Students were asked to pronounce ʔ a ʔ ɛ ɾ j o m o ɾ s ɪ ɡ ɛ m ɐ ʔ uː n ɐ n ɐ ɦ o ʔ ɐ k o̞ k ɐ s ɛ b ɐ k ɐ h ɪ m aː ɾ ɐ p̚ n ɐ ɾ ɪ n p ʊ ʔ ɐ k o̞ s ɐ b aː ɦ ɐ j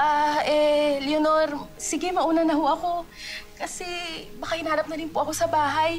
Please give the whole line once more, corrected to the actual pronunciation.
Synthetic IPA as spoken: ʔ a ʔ ɛ l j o n o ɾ s ɪ ɡ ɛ m ɐ ʔ uː n ɐ n ɐ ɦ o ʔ ɐ k o̞ k ɐ s ɛ b ɐ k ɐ h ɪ n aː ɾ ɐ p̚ n ɐ ɾ ɪ n p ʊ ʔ ɐ k o̞ s ɐ b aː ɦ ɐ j